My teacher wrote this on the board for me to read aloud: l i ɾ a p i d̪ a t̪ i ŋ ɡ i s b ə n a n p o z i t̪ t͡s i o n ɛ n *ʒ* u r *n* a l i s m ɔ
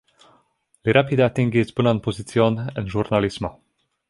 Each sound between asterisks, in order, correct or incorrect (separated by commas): correct, correct